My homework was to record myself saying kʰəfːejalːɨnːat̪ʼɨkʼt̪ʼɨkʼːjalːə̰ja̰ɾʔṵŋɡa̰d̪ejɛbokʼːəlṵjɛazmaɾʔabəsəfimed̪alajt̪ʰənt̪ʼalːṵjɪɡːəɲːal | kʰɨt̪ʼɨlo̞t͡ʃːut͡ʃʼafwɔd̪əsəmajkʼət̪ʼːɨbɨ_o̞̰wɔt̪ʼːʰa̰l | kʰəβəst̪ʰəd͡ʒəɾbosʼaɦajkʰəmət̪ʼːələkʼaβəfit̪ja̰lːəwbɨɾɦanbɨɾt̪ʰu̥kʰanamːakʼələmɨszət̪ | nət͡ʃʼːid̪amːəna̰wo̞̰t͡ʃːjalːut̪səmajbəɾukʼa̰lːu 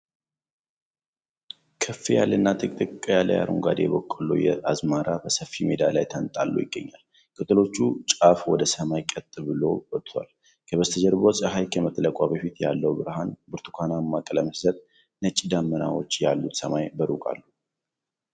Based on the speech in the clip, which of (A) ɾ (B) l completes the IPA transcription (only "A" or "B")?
B